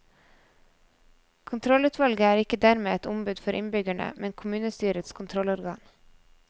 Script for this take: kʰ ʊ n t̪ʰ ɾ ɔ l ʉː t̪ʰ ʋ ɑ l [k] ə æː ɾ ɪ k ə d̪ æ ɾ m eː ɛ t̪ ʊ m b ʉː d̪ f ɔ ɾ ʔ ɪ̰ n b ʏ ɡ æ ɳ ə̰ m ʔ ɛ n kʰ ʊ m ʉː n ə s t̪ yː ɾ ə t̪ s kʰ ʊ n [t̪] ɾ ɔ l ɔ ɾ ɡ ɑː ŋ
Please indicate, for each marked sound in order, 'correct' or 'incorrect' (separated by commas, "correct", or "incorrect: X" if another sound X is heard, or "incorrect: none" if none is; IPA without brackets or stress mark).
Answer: incorrect: ɡ, incorrect: t̪ʰ